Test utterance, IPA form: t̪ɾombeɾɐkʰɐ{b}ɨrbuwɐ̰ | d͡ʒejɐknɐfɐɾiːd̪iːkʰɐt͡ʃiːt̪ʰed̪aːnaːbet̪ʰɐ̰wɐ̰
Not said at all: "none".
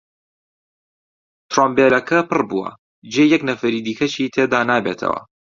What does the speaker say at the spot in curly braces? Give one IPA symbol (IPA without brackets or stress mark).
p